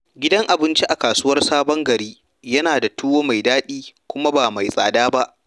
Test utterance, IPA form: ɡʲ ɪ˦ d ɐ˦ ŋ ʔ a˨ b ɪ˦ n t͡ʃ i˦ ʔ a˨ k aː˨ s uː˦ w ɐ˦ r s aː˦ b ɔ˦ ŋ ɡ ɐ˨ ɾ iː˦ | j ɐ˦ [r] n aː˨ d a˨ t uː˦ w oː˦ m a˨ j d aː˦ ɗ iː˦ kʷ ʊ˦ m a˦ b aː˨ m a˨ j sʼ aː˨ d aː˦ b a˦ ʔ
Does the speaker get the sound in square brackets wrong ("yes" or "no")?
yes